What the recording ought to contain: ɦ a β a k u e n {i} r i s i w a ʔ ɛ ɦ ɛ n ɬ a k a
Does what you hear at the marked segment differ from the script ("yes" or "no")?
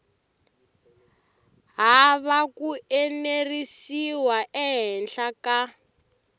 yes